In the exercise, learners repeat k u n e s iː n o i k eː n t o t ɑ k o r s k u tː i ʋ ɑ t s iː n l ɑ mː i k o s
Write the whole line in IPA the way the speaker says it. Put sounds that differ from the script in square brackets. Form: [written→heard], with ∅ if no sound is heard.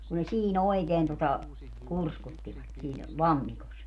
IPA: k u n e s iː n o i k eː n t o t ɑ k [o→u] r s k u tː i ʋ ɑ t s iː n l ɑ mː i k o s